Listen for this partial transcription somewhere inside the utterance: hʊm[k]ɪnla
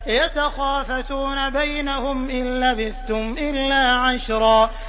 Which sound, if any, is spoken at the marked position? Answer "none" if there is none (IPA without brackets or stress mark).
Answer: ʔ